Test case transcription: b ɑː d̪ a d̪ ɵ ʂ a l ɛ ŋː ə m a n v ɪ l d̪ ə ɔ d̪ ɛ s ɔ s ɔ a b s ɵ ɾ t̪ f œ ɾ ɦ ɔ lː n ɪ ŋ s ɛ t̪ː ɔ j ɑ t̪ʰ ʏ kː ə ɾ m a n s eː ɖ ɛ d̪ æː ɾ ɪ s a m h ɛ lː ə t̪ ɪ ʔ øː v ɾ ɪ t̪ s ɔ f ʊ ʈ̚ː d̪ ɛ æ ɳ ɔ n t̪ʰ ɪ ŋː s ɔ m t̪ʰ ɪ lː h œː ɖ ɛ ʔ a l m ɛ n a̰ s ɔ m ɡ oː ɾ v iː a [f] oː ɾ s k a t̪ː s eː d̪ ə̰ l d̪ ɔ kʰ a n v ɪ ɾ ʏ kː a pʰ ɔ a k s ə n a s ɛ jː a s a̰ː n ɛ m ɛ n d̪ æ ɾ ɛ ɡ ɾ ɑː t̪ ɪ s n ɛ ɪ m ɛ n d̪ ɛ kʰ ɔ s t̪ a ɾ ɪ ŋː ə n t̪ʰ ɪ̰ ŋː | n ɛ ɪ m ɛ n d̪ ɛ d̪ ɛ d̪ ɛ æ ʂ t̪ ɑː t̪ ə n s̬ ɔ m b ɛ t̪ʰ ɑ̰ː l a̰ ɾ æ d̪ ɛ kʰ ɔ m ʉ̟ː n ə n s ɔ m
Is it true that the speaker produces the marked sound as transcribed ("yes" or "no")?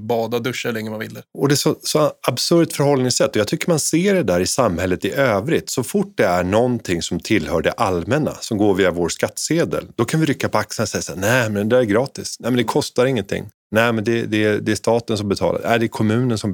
no